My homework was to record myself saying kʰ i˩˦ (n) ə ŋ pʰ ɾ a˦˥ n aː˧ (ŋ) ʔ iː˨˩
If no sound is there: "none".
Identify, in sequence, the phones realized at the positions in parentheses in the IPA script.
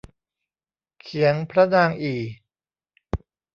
none, ŋ

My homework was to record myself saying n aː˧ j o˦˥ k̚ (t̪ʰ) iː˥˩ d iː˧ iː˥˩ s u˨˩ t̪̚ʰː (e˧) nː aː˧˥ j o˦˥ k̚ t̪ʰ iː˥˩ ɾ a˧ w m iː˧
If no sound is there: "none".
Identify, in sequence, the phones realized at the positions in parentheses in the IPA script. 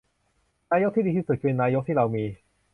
t̪, e˧

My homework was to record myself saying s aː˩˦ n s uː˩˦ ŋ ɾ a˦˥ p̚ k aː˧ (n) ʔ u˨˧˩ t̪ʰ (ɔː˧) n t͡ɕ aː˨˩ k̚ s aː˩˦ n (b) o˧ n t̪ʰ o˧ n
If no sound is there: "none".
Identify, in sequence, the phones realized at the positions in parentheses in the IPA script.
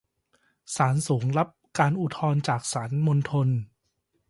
n, ɔː˧, m

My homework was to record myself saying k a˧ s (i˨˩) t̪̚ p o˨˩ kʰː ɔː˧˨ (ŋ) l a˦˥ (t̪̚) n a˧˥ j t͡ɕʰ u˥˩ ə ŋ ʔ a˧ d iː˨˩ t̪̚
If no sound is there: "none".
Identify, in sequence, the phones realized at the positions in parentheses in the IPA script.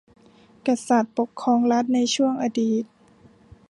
a˨˩, ŋ, t̪̚

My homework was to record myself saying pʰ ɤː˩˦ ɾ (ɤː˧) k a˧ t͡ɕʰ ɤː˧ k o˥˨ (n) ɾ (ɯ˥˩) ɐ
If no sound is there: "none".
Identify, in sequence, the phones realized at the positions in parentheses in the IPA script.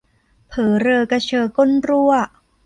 ɤː˧, n, u˥˩

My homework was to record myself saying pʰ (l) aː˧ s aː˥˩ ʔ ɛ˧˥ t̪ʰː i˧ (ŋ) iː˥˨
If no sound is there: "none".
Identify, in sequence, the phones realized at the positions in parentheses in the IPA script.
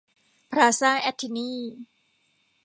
ɾ, n

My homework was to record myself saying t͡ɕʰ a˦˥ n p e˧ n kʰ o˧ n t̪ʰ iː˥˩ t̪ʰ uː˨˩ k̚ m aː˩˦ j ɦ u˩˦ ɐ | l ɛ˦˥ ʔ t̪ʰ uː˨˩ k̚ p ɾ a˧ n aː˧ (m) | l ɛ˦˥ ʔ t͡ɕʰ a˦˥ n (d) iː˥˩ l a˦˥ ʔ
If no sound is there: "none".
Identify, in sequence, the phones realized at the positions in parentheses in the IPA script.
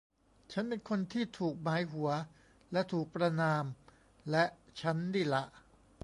m, d

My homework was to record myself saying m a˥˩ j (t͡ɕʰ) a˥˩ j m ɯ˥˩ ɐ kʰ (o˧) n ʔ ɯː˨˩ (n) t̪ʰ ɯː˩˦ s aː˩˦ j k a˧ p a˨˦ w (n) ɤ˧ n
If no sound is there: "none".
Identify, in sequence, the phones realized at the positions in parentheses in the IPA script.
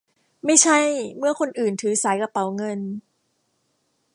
t͡ɕʰ, o˧, n, ŋ

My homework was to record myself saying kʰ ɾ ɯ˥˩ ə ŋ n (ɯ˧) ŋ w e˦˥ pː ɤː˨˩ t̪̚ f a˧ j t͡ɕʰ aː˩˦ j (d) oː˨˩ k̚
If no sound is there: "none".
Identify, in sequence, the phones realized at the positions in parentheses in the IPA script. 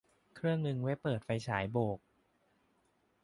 ɯ˧, b

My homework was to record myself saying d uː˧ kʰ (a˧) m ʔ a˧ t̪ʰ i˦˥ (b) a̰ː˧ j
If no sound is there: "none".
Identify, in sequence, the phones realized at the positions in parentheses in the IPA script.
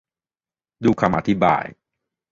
a˧, b

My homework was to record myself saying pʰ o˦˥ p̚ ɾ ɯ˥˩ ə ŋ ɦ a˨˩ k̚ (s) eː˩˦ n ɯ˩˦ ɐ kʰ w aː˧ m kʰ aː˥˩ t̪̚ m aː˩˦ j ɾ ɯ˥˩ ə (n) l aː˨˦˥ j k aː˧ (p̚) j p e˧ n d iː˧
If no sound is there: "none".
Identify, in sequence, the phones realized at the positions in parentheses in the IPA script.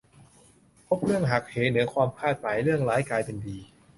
h, ŋ, none

